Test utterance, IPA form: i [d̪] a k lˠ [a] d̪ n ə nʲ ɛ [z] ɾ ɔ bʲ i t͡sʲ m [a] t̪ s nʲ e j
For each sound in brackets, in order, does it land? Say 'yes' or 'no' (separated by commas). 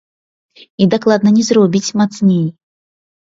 yes, yes, yes, yes